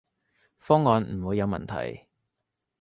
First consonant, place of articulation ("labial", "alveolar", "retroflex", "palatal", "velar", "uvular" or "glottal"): labial